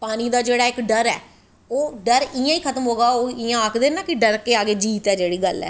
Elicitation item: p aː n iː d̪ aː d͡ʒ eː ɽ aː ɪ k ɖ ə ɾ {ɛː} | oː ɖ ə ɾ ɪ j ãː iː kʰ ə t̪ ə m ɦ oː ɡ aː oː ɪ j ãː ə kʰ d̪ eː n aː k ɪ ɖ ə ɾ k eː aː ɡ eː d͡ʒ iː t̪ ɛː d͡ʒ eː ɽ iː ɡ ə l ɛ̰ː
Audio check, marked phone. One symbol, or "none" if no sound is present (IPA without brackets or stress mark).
ɛː